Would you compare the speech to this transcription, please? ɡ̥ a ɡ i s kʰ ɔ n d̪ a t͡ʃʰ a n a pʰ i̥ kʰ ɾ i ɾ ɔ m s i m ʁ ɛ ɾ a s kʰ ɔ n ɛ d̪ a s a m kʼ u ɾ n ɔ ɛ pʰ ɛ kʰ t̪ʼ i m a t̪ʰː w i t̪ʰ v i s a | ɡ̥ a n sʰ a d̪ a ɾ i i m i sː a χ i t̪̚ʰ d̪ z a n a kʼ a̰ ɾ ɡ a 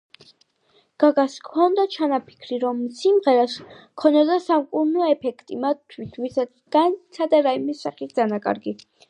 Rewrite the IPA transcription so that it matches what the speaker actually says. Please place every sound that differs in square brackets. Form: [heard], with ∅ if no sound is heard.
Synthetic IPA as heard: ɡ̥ a ɡ [a] s kʰ ɔ n d̪ a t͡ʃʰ a n a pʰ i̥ kʰ ɾ i ɾ ɔ m s i m ʁ ɛ ɾ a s kʰ ɔ n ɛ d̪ a s a m kʼ u ɾ n ɔ ɛ pʰ ɛ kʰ t̪ʼ i m a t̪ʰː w i t̪ʰ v i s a | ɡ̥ a n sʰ a d̪ a ɾ [a] i m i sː a χ i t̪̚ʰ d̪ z a n a kʼ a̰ ɾ ɡ [i]